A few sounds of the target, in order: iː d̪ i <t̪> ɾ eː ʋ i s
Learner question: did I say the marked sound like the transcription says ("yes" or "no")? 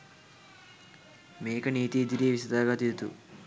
no